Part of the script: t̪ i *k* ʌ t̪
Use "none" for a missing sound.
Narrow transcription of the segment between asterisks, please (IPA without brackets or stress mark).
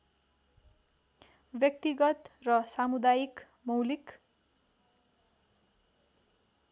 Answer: ɡ